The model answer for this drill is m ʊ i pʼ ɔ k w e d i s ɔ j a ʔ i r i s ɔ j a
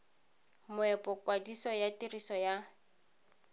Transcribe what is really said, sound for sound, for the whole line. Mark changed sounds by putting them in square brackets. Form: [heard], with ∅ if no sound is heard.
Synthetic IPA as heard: m ʊ [ɛ] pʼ ɔ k w [a] d i s ɔ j a [t] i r i s ɔ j a